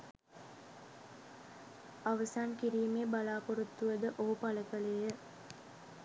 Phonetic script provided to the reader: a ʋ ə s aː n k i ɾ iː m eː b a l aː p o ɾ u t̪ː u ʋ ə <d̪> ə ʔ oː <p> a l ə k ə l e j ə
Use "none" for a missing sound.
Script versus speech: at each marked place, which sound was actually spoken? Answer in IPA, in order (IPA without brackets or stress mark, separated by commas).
d̪, p